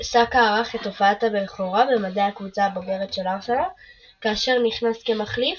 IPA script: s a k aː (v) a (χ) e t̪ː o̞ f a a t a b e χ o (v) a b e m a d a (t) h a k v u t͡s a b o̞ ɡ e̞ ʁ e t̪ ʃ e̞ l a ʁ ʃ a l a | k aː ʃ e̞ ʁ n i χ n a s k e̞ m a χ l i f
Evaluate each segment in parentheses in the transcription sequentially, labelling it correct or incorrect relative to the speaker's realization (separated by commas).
incorrect, correct, incorrect, incorrect